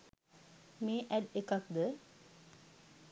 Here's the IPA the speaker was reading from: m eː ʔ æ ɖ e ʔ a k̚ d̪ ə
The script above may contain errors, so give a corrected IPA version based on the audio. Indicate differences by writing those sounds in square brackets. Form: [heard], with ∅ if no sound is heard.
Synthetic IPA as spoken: m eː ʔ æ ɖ e [k] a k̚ d̪ ə